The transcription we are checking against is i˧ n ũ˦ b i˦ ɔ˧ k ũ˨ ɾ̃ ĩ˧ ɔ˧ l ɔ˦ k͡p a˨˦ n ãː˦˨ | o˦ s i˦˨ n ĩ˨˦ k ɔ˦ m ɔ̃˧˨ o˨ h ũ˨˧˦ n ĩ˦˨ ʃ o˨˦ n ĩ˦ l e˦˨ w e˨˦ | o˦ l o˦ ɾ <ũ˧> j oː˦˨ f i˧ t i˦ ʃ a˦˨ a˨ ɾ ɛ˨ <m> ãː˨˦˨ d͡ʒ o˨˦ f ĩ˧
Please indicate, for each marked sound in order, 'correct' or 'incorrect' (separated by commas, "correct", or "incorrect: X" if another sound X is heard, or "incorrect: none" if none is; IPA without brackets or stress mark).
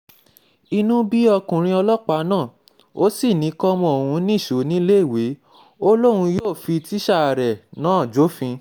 correct, incorrect: n